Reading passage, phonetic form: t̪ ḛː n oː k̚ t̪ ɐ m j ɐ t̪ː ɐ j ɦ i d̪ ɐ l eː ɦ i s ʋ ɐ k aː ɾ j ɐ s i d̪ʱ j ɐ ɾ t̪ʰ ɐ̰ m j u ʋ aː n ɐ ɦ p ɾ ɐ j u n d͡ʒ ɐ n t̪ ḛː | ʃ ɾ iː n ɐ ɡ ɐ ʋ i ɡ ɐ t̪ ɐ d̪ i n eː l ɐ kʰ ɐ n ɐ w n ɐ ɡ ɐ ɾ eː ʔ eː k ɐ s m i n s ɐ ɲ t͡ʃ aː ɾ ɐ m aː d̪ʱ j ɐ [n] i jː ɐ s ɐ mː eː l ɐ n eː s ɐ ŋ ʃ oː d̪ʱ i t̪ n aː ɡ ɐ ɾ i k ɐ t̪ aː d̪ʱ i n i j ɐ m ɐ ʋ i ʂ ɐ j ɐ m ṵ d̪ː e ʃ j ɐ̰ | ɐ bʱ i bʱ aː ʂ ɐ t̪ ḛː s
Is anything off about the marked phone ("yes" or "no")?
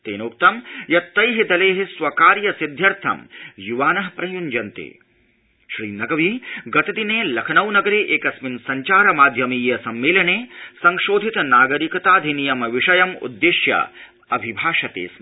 yes